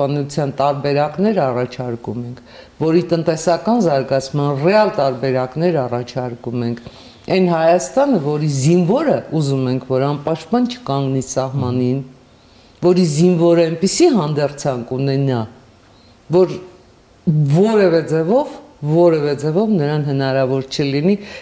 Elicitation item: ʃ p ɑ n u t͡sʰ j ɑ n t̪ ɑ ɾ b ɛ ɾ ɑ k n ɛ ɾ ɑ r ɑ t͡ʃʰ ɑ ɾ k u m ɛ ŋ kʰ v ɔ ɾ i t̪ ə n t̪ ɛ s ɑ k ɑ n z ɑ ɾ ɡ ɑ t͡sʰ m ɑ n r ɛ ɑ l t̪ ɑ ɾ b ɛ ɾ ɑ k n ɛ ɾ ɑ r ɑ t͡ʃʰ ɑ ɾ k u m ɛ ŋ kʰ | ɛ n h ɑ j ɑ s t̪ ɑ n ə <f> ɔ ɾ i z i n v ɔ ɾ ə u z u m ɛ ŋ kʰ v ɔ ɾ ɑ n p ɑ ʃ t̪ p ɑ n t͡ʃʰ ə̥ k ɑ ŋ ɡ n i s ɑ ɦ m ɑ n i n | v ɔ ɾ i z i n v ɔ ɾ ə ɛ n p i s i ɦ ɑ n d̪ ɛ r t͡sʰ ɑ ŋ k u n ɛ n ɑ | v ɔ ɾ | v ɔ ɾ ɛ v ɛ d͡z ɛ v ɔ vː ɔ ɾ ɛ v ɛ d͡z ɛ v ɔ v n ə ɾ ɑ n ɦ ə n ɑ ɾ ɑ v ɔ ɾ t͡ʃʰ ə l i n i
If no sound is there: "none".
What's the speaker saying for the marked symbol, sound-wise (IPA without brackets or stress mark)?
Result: v